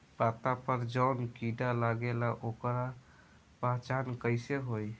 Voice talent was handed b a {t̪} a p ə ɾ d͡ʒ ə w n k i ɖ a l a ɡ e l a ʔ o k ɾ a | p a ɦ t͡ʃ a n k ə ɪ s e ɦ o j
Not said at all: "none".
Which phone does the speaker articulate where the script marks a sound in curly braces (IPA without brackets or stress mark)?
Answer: t̪